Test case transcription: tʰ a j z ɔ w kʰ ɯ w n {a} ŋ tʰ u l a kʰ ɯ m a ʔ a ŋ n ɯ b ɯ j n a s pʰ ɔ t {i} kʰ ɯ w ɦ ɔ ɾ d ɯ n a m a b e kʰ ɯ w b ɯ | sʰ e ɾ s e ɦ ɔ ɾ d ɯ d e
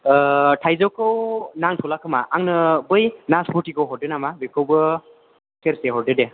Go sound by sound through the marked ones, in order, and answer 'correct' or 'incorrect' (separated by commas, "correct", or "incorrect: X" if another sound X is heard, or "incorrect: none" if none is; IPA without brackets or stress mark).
correct, correct